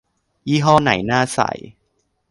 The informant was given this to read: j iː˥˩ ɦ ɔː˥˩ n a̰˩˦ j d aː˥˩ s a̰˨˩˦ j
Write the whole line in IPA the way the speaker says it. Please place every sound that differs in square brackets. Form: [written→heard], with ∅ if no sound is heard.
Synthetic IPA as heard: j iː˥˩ ɦ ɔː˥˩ n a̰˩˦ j [d→n] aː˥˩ s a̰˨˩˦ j